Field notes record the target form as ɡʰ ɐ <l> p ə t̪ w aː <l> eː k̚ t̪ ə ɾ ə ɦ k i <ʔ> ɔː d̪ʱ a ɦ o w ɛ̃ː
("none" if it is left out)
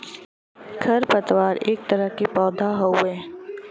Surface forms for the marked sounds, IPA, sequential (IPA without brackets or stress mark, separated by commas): ɾ, ɾ, p